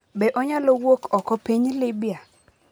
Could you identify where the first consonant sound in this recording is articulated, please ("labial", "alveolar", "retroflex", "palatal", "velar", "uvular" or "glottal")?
labial